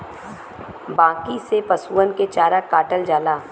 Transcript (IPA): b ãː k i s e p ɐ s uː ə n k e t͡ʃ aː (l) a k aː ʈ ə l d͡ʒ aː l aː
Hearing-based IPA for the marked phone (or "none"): ɾ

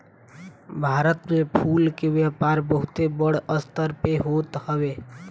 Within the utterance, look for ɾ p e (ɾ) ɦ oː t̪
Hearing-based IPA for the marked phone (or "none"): none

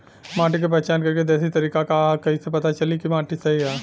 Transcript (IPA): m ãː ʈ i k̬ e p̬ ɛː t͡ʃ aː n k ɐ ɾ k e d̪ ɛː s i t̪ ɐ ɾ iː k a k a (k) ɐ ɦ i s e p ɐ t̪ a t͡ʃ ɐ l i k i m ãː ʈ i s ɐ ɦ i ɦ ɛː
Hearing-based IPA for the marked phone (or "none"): k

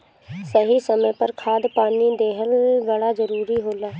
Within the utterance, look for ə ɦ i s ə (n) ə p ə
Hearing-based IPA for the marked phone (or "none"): m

